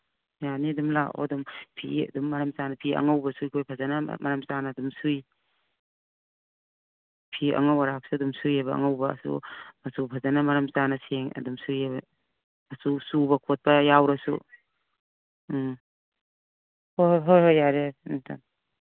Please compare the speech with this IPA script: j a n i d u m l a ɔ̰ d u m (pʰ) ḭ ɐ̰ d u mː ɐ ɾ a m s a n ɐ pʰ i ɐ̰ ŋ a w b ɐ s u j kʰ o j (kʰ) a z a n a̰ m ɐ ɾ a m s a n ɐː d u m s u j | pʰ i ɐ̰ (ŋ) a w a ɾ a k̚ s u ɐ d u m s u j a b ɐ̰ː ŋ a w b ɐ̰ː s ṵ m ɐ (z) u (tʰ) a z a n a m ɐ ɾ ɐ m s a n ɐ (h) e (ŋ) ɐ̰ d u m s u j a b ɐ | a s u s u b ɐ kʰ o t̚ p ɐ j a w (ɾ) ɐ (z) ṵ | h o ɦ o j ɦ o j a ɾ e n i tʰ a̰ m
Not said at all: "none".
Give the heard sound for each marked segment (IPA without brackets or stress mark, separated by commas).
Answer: pʰ, pʰ, ŋ, s, pʰ, s, ŋ, ɾ, s